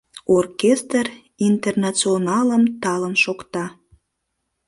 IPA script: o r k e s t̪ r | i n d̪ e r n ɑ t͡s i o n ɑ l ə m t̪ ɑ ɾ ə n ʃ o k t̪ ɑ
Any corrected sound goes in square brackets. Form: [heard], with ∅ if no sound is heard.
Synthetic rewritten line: o r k e s t̪ r | i n [t̪] e r n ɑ t͡s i o n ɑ l ə m t̪ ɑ [l] ə n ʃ o k t̪ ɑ